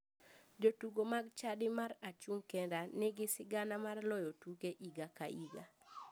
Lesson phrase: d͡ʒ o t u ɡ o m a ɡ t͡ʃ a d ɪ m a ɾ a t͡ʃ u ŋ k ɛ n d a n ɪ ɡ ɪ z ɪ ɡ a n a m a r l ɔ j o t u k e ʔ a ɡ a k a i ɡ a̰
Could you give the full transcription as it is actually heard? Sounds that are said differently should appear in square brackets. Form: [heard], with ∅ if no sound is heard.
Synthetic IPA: d͡ʒ o t u ɡ o m a ɡ t͡ʃ a d ɪ m a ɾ a t͡ʃ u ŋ k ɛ n d a n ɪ ɡ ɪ [s] ɪ ɡ a n a m a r l ɔ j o t u k e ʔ [i] ɡ a k a i ɡ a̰